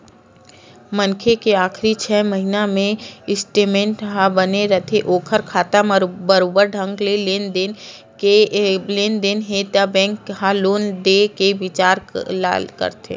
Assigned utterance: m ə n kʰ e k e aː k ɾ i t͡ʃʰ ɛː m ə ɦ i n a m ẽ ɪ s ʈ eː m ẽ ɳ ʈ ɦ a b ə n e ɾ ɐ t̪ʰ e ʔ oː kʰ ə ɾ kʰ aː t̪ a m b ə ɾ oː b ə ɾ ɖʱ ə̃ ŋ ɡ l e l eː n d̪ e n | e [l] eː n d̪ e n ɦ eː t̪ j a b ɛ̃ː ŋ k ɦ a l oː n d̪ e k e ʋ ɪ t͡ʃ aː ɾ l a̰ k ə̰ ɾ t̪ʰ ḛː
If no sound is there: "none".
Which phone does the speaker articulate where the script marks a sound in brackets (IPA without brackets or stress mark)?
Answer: l